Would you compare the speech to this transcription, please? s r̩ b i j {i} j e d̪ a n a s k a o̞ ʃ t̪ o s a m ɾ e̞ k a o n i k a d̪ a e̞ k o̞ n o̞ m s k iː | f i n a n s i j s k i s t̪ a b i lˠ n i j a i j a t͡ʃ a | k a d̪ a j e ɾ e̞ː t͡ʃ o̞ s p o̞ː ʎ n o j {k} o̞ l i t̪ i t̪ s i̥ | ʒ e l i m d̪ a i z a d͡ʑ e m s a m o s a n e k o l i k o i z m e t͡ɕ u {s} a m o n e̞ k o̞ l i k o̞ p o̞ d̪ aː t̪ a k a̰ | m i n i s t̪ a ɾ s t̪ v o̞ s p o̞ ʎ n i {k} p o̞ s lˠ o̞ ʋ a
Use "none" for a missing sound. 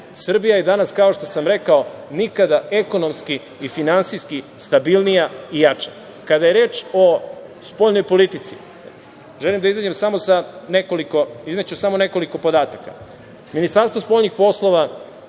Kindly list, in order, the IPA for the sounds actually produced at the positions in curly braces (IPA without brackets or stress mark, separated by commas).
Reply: a, p, s, x